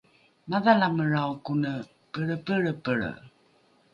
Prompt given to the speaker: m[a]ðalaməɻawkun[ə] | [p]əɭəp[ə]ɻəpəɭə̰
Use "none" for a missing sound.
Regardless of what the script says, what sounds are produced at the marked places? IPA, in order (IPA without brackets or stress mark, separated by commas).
a, ə, p, ə